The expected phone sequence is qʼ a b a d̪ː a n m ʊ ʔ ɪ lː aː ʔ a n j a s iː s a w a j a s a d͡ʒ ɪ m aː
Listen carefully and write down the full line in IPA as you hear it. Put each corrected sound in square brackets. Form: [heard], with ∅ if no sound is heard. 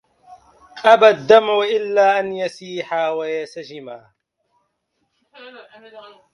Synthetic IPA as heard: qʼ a b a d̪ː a [∅] m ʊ ʔ ɪ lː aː ʔ a n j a s iː [ħ] a w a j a s a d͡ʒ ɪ m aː

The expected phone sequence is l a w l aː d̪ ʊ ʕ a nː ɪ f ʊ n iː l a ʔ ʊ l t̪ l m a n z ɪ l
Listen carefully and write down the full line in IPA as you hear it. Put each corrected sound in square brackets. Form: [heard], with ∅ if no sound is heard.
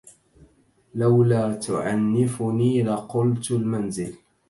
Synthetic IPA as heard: l a w l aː [t̪] ʊ ʕ a nː ɪ f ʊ n iː l a [q] ʊ l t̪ l m a n z ɪ l

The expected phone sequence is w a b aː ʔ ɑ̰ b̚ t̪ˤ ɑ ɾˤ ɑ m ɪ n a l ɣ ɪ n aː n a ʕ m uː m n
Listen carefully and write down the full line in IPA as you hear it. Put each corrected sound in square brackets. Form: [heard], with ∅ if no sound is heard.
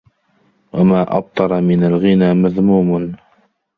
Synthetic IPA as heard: w a [m] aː ʔ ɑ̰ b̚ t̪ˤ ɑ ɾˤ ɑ m ɪ n a l ɣ ɪ n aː [m] a [ð] m uː m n

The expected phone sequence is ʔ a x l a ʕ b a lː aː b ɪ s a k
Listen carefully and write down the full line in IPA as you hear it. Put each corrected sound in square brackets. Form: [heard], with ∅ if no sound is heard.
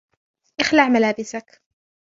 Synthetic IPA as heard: ʔ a x l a ʕ [m] a [l] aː b ɪ s a k

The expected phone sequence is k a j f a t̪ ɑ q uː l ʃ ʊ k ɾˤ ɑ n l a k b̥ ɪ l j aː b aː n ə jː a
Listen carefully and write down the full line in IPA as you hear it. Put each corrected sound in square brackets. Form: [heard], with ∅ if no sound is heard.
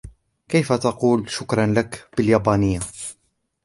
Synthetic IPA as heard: k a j f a t̪ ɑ q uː l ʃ ʊ k ɾˤ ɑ n l a k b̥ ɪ l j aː b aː n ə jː a

